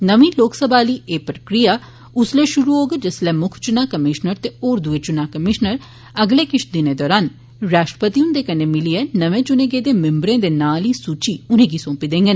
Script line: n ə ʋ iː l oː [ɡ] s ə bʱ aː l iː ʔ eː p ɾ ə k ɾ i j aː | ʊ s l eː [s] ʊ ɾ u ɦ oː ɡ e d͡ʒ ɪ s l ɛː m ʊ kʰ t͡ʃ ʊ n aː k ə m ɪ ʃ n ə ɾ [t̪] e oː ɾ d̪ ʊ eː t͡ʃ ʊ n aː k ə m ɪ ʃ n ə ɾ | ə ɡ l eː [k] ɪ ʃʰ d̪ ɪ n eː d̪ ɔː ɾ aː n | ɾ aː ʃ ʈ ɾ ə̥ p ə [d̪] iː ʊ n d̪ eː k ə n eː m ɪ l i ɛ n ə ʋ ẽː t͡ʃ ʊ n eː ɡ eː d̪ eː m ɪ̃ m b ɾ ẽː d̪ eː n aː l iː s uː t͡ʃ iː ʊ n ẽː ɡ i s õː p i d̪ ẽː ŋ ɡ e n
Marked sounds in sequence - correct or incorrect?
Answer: incorrect: k, incorrect: ʃ, correct, correct, incorrect: t̪

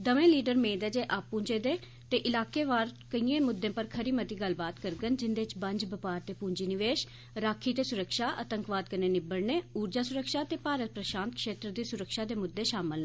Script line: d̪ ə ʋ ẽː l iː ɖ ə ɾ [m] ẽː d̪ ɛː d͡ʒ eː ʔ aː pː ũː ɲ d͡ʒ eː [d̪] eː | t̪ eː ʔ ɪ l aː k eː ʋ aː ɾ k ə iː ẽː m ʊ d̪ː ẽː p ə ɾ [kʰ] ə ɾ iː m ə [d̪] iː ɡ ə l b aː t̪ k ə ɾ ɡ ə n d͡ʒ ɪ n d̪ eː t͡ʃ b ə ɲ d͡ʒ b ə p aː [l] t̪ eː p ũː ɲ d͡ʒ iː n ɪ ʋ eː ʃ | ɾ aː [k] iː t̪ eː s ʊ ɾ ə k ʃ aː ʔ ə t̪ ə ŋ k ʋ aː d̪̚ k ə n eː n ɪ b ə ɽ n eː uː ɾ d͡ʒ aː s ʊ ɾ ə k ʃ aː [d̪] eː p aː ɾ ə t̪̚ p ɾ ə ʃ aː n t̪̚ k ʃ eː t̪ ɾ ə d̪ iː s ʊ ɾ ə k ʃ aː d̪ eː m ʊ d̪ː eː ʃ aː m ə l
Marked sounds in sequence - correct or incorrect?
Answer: correct, correct, correct, incorrect: t̪, incorrect: ɾ, incorrect: kʰ, incorrect: t̪

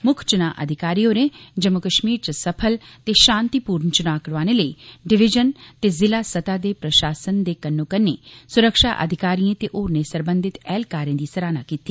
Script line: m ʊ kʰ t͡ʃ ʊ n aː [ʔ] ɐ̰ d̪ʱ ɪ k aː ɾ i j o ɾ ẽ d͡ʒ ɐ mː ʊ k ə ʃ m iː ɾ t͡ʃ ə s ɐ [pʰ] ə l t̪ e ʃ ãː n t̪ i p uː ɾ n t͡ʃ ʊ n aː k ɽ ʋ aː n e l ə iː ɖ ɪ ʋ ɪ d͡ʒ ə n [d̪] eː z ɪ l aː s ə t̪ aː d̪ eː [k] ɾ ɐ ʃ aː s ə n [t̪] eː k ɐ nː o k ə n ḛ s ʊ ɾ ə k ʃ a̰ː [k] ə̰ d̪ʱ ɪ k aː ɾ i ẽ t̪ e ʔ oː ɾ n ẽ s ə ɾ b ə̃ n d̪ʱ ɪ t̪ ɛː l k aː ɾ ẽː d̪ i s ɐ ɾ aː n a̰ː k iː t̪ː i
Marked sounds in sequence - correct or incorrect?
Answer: correct, correct, incorrect: t̪, incorrect: p, incorrect: d̪, incorrect: ʔ

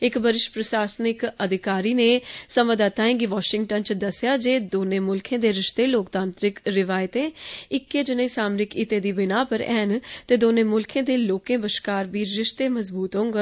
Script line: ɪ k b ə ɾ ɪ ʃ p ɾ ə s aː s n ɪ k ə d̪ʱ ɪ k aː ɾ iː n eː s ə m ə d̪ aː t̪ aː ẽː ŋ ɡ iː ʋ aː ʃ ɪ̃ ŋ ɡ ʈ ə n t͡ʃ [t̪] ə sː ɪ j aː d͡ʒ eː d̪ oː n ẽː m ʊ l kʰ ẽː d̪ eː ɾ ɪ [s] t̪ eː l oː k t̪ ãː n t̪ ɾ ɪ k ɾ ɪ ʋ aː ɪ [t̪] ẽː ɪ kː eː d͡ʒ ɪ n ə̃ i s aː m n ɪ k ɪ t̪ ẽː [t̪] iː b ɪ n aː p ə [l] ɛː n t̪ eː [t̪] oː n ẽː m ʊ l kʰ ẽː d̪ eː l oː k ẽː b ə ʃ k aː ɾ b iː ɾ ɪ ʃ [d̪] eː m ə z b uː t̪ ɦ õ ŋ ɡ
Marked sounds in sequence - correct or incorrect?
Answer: incorrect: d̪, incorrect: ʃ, correct, incorrect: d̪, incorrect: ɾ, incorrect: d̪, incorrect: t̪

